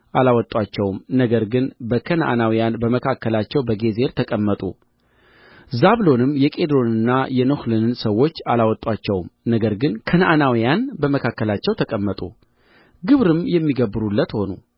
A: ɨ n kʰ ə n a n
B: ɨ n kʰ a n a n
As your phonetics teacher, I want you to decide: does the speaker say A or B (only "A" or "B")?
A